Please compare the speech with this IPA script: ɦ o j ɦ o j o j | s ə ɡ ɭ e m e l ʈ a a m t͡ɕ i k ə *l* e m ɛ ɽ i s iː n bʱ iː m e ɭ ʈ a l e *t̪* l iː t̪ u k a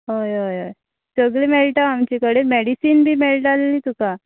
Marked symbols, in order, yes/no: no, no

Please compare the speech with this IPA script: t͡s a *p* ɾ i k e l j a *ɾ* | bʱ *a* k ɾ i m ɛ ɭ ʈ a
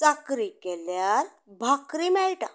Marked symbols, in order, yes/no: no, yes, yes

